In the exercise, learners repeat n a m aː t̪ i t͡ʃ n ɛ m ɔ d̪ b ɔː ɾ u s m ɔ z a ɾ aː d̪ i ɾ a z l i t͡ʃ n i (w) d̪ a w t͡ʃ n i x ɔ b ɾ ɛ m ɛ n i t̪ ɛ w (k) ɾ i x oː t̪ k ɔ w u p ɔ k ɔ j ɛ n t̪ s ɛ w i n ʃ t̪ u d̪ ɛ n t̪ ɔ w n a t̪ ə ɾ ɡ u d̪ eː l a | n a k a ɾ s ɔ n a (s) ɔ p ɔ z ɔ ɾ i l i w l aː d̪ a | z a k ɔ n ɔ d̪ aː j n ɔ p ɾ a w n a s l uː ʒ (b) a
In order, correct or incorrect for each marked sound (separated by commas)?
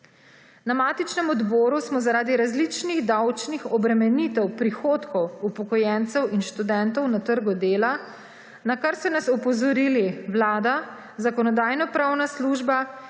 incorrect, incorrect, correct, correct